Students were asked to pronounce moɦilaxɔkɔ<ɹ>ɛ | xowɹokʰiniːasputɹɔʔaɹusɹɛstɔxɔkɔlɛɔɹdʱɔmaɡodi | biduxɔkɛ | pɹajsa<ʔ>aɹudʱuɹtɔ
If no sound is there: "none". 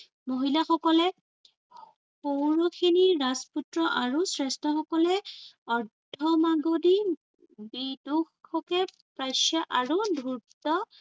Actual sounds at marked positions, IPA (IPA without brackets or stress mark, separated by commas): l, ʔ